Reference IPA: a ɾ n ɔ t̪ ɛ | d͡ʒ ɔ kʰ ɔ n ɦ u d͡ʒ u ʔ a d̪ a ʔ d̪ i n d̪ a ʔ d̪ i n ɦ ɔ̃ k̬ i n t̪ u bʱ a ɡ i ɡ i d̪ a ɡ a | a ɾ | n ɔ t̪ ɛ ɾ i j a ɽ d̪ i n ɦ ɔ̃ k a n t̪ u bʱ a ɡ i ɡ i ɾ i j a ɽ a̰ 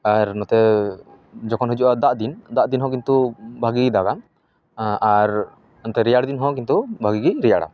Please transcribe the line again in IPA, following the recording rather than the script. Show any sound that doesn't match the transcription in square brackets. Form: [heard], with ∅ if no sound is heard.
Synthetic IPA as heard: a ɾ n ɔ t̪ ɛ | d͡ʒ ɔ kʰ ɔ n ɦ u d͡ʒ u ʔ a d̪ a ʔ d̪ i n d̪ a ʔ d̪ i n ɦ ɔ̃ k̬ i n t̪ u bʱ a ɡ i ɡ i d̪ a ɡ a | a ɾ | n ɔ t̪ ɛ ɾ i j a ɽ d̪ i n ɦ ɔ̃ k [i] n t̪ u bʱ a ɡ i ɡ i ɾ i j a ɽ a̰